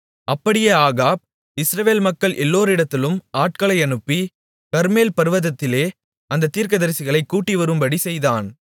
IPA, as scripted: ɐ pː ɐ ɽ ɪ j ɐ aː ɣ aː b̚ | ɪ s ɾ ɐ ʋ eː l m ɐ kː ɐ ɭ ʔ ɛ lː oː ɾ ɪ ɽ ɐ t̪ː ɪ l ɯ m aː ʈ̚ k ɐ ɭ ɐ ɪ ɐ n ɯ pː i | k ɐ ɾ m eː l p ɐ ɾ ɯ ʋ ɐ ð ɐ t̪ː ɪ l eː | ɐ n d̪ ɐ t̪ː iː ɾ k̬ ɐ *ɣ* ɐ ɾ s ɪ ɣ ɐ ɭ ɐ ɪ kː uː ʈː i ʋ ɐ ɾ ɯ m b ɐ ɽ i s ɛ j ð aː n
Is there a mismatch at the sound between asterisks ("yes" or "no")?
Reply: yes